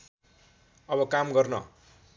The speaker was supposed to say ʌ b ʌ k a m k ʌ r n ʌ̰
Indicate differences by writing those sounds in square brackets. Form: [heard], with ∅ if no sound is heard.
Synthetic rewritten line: ʌ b ʌ k a m [ɡ] ʌ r n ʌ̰